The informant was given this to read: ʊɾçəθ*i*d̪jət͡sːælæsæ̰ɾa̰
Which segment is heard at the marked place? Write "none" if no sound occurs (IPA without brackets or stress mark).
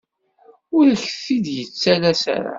i